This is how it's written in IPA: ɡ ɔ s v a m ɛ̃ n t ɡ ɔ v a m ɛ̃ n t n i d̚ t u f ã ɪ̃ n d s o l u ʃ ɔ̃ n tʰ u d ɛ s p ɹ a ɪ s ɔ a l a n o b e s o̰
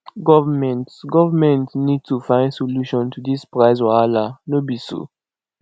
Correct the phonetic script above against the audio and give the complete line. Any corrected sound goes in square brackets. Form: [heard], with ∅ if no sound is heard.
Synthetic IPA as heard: ɡ ɔ [∅] v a m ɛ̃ n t ɡ ɔ v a m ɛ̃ n t n i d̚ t u f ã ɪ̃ n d s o l u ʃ ɔ̃ n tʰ u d [i] s p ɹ a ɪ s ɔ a l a n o b [i] s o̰